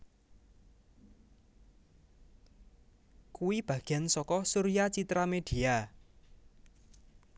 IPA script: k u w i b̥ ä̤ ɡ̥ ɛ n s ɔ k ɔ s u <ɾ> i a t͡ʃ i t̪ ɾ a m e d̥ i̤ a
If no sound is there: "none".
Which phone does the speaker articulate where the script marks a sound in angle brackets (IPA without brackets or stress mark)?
ɾ